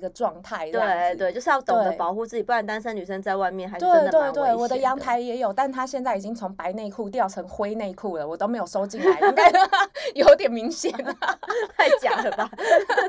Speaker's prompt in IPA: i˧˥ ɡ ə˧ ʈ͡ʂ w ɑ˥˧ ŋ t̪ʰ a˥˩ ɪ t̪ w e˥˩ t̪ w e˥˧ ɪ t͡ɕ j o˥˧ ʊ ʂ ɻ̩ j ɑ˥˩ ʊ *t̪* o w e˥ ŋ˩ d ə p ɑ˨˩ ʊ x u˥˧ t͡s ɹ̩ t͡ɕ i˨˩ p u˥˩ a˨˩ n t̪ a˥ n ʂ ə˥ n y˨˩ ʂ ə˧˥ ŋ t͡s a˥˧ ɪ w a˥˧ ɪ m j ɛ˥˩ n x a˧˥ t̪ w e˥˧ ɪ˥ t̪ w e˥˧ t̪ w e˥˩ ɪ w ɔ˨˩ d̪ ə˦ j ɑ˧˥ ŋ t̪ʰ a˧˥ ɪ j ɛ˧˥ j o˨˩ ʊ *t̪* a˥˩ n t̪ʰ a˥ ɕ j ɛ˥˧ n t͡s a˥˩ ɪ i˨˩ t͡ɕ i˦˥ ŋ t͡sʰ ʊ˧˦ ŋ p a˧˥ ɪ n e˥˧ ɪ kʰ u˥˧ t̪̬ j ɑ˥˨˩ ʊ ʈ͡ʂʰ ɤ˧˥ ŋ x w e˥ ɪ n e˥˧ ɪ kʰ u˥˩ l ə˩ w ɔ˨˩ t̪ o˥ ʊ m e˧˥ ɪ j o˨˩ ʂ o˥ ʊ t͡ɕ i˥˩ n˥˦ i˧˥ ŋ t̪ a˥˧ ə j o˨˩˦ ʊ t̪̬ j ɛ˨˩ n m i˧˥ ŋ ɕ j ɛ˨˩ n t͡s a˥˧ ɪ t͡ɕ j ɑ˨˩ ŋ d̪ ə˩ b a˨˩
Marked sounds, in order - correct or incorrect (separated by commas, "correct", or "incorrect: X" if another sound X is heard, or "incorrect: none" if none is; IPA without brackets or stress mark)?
correct, correct